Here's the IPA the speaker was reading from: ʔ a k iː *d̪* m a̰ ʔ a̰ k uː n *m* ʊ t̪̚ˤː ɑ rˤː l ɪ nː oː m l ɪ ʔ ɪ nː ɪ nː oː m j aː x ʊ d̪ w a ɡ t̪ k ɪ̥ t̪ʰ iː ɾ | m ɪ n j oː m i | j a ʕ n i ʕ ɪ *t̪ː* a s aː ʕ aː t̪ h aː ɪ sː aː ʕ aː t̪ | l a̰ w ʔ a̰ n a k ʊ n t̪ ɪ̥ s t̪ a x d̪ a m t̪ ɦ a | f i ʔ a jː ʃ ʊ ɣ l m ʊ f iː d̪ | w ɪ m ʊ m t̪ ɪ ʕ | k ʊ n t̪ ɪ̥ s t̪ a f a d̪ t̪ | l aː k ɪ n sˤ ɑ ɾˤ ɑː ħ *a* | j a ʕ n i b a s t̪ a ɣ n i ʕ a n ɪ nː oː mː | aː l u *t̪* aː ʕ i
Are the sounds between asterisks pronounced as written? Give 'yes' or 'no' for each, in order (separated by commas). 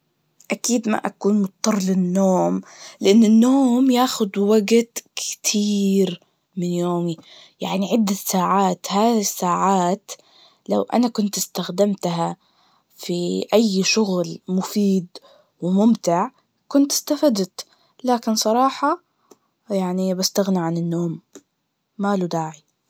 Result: yes, yes, no, no, no